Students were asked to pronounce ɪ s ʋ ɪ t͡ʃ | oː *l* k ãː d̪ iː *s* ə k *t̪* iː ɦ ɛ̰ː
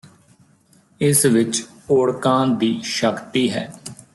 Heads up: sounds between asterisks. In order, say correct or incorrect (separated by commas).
incorrect, incorrect, correct